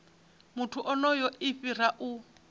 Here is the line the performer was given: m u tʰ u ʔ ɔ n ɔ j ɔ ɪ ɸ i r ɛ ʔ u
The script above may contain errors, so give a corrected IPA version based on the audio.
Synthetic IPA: m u tʰ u ʔ ɔ n ɔ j ɔ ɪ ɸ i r a ʔ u